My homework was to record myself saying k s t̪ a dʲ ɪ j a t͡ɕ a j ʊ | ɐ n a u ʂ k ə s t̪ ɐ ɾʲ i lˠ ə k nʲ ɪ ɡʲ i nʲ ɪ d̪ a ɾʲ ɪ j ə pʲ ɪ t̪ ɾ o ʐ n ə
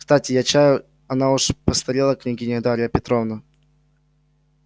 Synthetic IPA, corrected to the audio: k s t̪ a tʲ ɪ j a t͡ɕ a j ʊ | ɐ n a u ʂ p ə s t̪ ɐ ɾʲ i lˠ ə k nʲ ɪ ɡʲ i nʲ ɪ d̪ a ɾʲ ɪ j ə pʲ ɪ t̪ ɾ o v n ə

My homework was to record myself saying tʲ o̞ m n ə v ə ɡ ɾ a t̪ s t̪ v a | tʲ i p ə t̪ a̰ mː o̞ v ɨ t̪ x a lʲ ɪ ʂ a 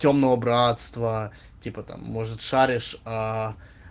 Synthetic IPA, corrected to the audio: tʲ o̞ m n ə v ə b ɾ a t̪ s t̪ v ə | tʲ i p ə t̪ a̰ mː o̞ ʐ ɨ t̪ ʂ a ɾʲ ɪ ʂ a

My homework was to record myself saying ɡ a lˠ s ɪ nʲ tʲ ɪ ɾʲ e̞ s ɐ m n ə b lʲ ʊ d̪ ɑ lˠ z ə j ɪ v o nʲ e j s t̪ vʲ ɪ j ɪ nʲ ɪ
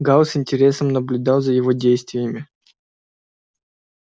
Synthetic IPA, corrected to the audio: ɡ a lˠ s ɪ nʲ tʲ ɪ ɾʲ e̞ s ə m n ə b lʲ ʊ d̪ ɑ lˠ z ə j ɪ v o dʲ e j s t̪ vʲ ɪ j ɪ mʲ ɪ

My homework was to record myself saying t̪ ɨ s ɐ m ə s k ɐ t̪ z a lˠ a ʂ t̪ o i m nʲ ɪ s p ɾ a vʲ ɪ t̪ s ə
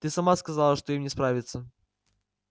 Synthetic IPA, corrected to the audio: t̪ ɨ s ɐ m a s k ɐ z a lˠ ə ʂ t̪ o i m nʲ ɪ s p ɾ a vʲ ɪ t̪ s ə

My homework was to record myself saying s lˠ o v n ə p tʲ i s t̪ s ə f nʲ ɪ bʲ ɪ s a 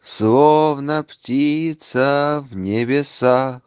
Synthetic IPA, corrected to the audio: s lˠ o v n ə p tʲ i t̪ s ə v nʲ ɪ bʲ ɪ s a

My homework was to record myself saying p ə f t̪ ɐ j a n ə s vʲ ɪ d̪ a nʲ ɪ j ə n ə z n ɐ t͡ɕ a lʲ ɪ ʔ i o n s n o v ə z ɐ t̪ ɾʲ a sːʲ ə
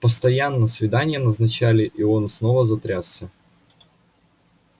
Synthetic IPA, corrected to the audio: p ə s t̪ ɐ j a nː ə s vʲ ɪ d̪ a nʲ ɪ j ə n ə z n ɐ t͡ɕ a lʲ ɪ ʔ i o n s n o v ə z ɐ t̪ ɾʲ a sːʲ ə

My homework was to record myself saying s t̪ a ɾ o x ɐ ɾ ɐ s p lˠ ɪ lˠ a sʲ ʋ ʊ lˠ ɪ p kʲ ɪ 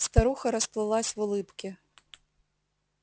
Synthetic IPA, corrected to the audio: s t̪ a ɾ u x ɐ ɾ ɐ s p lˠ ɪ lˠ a sʲ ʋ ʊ lˠ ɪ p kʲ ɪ

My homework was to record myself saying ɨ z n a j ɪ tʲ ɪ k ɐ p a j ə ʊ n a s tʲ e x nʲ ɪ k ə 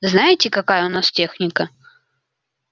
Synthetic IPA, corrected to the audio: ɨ z n a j ɪ tʲ ɪ k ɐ k a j ə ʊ n a s tʲ e x nʲ ɪ k ə

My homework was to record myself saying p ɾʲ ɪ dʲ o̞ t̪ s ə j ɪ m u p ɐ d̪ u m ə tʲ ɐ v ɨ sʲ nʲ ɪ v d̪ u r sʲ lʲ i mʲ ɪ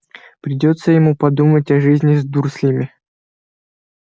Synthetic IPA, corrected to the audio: p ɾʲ ɪ dʲ o̞ t̪ s ə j ɪ m u p ɐ d̪ u m ə tʲ ɐ ʐ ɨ zʲ nʲ ɪ z d̪ u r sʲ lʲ i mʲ ɪ

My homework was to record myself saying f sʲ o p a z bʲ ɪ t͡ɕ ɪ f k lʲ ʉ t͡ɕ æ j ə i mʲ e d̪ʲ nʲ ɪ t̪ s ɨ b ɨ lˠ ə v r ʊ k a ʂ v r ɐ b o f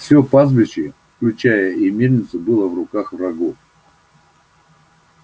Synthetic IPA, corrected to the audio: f sʲ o p a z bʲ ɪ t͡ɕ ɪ f k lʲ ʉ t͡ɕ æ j ə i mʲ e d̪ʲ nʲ ɪ t̪ s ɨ b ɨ lˠ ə v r ʊ k a x v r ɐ ɡ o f

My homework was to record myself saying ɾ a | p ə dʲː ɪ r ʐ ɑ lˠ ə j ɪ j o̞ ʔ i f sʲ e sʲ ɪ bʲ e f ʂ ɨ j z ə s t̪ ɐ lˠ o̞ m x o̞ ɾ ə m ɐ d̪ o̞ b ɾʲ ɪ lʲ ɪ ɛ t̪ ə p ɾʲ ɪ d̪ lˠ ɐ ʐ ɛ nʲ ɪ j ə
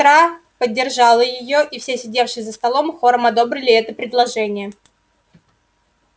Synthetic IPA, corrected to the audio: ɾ a | p ə dʲː ɪ r ʐ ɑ lˠ ə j ɪ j o̞ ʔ i f sʲ e sʲ ɪ dʲ e f ʂ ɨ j z ə s t̪ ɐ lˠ o̞ m x o̞ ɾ ə m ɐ d̪ o̞ b ɾʲ ɪ lʲ ɪ ɛ t̪ ə p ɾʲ ɪ d̪ lˠ ɐ ʐ ɛ nʲ ɪ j ə

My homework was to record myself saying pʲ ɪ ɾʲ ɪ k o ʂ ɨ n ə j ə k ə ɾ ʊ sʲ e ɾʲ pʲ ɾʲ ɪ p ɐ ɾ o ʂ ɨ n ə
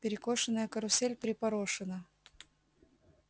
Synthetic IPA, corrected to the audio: pʲ ɪ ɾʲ ɪ k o ʂ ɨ n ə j ə k ə ɾ ʊ sʲ e lʲ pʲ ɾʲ ɪ p ɐ ɾ o ʂ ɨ n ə

